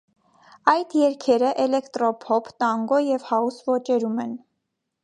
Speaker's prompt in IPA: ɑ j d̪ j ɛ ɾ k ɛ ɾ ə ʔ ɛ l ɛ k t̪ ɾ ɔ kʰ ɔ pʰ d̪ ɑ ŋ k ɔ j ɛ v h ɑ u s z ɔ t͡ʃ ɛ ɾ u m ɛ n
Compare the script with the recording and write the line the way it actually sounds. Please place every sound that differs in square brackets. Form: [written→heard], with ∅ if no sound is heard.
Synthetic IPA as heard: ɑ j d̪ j ɛ ɾ [k→kʰ] ɛ ɾ ə ʔ ɛ l ɛ k t̪ ɾ ɔ [kʰ→pʰ] ɔ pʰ [d̪→t̪] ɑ ŋ [k→ɡ] ɔ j ɛ v h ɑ u s [z→v] ɔ t͡ʃ ɛ ɾ u m ɛ n

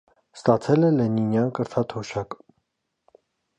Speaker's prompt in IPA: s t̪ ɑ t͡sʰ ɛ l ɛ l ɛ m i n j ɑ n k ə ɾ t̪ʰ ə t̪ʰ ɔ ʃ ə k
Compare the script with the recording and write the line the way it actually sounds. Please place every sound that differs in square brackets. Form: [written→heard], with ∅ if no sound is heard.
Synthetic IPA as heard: s t̪ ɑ t͡sʰ ɛ l ɛ l ɛ [m→n] i n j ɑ n k ə ɾ t̪ʰ [ə→ɑ] t̪ʰ ɔ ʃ [ə→ɑ] k

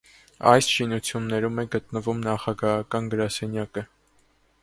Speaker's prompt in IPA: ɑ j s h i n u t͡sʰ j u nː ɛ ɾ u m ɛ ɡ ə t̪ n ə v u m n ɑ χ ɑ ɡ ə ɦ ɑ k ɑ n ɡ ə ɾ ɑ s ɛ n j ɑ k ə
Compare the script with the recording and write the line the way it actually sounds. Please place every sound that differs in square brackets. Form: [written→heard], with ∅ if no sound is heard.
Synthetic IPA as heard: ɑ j s [h→ʃ] i n u t͡sʰ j u nː ɛ ɾ u m ɛ ɡ ə t̪ n ə v u m n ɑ χ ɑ ɡ [ə→ɑ] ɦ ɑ k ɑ n ɡ ə ɾ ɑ s ɛ n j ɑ k ə

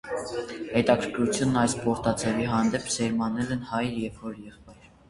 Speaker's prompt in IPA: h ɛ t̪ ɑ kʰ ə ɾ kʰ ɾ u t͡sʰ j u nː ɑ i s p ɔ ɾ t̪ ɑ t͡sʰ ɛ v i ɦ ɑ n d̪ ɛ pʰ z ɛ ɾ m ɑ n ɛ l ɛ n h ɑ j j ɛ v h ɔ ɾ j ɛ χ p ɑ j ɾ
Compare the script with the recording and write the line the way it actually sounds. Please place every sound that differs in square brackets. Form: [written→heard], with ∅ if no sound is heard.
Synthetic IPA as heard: h ɛ t̪ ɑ kʰ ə ɾ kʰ ɾ u t͡sʰ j u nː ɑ [i→j] s p ɔ ɾ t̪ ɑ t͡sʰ ɛ v i ɦ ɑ n d̪ ɛ pʰ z ɛ ɾ m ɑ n ɛ l ɛ n h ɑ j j ɛ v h ɔ ɾ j ɛ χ p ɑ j ɾ

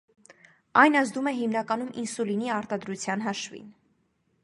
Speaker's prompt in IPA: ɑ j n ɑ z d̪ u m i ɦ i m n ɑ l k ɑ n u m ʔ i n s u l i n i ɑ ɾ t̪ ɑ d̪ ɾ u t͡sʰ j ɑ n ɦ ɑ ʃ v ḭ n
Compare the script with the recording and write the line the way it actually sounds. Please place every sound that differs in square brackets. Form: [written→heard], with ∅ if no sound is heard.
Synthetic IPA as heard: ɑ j n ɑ z d̪ u m [i→ɛ] ɦ i m n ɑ [l→∅] k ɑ n u m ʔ i n s u l i n i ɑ ɾ t̪ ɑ d̪ ɾ u t͡sʰ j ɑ n ɦ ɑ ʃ v ḭ n

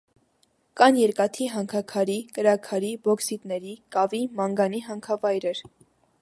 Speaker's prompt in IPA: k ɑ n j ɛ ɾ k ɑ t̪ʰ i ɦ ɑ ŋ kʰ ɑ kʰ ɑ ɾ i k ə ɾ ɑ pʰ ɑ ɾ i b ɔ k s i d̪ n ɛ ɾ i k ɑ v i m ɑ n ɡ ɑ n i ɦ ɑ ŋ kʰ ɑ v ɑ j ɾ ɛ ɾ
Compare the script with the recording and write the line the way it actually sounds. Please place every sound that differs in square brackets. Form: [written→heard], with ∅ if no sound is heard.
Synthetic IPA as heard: k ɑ n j ɛ ɾ k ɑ t̪ʰ i ɦ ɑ ŋ kʰ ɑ kʰ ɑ ɾ i k ə ɾ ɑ [pʰ→kʰ] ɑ ɾ i b ɔ k s i [d̪→t̪] n ɛ ɾ i k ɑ v i m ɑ [n→ŋ] ɡ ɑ n i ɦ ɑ ŋ kʰ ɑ v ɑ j ɾ ɛ ɾ

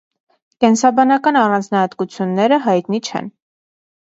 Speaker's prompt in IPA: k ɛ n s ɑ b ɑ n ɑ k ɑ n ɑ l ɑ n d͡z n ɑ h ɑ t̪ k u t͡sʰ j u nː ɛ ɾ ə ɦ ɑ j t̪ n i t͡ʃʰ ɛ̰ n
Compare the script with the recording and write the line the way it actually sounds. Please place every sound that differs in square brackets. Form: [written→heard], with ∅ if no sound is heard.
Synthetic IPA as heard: k ɛ n s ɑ b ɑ n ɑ k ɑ n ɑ [l→r] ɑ n d͡z n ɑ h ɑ t̪ k u t͡sʰ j u nː ɛ ɾ ə ɦ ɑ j t̪ n i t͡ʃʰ ɛ̰ n

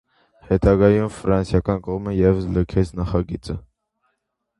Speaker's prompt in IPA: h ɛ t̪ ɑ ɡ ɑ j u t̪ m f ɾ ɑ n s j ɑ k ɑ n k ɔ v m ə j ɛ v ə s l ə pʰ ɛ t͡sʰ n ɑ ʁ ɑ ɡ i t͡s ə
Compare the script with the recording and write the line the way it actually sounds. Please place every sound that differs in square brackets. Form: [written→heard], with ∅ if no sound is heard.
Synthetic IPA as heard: h ɛ t̪ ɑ ɡ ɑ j u [t̪→∅] m f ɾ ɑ n s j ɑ k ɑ n k ɔ [v→ʁ] m ə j ɛ v ə s l ə [pʰ→kʰ] ɛ t͡sʰ n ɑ [ʁ→χ] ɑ ɡ i t͡s ə

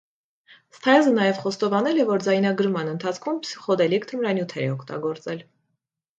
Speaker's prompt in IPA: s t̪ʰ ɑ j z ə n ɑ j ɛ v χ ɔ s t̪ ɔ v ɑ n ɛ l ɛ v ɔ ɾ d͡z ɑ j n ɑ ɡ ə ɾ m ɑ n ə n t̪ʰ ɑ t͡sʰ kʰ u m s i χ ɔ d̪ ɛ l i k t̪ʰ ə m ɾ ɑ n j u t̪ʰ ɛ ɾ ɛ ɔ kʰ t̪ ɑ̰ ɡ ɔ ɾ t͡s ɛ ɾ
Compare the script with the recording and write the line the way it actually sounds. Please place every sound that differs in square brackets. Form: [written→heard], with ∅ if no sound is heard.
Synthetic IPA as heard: s t̪ʰ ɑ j z ə n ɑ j ɛ v χ ɔ s t̪ ɔ v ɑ n ɛ l ɛ v ɔ ɾ d͡z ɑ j n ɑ ɡ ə ɾ m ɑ n ə n t̪ʰ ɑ t͡sʰ kʰ u m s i χ ɔ d̪ ɛ l i k t̪ʰ ə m ɾ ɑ n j u t̪ʰ ɛ ɾ ɛ ɔ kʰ t̪ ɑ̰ ɡ ɔ ɾ t͡s ɛ [ɾ→l]

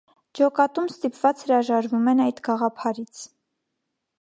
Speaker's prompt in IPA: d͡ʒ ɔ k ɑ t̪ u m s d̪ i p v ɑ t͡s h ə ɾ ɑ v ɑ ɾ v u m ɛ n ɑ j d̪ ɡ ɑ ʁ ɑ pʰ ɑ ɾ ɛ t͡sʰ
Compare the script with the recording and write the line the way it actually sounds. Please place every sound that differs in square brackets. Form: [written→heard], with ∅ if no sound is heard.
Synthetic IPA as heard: d͡ʒ ɔ k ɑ t̪ u m s [d̪→t̪] i p v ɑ t͡s h ə ɾ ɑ [v→ʒ] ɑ ɾ v u m ɛ n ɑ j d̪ ɡ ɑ ʁ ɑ pʰ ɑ ɾ [ɛ→i] t͡sʰ

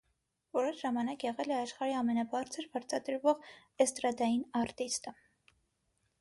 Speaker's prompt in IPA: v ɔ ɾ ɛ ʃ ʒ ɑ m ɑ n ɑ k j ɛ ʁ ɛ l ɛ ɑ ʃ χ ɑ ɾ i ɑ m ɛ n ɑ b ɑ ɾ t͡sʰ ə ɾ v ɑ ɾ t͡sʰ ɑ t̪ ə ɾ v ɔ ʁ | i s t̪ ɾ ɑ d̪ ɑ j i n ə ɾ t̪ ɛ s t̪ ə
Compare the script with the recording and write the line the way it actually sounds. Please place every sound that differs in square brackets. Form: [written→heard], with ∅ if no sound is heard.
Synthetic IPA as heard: v ɔ ɾ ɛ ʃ ʒ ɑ m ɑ n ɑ k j ɛ ʁ ɛ l ɛ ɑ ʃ χ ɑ ɾ i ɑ m ɛ n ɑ b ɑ ɾ t͡sʰ ə ɾ [v→b] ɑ ɾ t͡sʰ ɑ [t̪→d̪] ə ɾ v ɔ ʁ | [i→ɛ] s t̪ ɾ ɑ d̪ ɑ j i n [ə→ɑ] ɾ t̪ [ɛ→i] s t̪ ə

